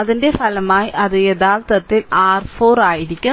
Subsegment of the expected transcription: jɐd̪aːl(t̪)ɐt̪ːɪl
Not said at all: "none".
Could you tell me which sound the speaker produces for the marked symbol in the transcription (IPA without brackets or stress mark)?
t̪